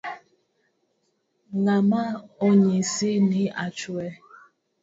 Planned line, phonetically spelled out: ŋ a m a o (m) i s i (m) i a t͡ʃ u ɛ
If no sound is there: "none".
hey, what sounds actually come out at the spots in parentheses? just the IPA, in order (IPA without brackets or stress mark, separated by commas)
ɲ, n